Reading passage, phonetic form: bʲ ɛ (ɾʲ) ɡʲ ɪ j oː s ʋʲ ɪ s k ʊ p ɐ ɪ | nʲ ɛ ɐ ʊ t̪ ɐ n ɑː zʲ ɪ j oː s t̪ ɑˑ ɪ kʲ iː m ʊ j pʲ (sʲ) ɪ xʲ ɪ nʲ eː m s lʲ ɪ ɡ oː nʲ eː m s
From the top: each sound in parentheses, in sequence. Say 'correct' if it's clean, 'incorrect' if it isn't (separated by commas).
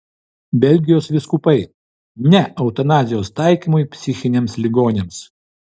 incorrect, correct